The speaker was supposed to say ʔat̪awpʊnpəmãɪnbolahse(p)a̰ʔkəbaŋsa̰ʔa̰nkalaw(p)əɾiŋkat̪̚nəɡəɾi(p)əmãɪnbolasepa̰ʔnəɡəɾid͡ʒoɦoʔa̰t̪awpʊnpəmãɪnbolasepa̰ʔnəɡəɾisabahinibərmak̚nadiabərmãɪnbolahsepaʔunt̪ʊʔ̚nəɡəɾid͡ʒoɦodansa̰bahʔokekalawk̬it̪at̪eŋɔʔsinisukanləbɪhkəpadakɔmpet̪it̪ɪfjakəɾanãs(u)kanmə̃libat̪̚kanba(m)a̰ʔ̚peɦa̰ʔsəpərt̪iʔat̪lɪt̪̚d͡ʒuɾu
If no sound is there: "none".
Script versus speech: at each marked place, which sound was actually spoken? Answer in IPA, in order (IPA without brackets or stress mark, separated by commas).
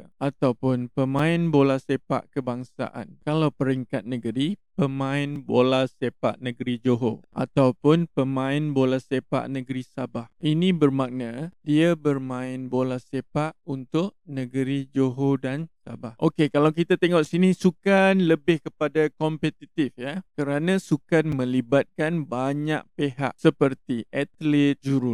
p, p, p, u, ɲ